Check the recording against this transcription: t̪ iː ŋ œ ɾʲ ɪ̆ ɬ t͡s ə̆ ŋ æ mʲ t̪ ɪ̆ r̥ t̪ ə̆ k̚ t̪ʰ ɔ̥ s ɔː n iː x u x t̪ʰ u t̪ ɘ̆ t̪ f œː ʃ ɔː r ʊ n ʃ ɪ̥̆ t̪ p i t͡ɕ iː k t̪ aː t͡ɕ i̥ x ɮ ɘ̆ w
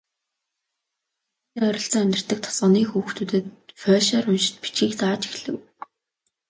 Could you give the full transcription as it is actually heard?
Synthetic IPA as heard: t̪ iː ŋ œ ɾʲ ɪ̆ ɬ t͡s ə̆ ŋ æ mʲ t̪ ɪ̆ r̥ t̪ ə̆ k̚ t̪ʰ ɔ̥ s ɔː n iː x uː x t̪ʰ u t̪ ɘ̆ t̪ f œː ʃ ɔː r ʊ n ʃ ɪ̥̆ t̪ p i t͡ɕ iː k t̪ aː t͡ɕ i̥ x ɮ ɘ̆ w